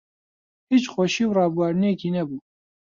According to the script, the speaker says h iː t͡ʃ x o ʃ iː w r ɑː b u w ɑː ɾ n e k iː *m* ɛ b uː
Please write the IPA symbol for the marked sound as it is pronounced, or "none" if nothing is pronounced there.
n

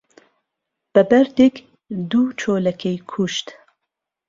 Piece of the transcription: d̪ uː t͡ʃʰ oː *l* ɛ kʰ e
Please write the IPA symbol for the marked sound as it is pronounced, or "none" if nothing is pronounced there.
l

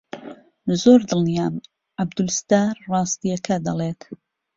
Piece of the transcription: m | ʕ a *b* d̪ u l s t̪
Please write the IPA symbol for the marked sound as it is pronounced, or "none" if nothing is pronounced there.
b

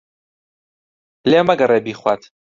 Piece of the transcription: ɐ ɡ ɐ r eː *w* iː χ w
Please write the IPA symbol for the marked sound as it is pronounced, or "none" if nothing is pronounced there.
b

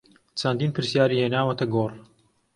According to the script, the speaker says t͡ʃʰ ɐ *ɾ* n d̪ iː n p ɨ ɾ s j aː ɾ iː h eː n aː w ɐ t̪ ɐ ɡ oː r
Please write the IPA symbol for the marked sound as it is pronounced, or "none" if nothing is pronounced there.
none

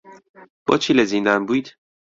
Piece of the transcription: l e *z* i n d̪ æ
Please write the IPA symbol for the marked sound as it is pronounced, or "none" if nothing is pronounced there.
z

